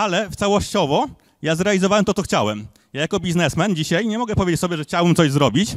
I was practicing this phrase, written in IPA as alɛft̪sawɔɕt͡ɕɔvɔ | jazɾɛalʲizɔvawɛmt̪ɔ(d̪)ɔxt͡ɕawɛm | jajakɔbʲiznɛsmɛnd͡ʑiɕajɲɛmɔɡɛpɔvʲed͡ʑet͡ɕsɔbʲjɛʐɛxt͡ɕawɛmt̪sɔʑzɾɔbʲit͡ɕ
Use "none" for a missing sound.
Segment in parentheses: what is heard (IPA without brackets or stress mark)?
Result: t̪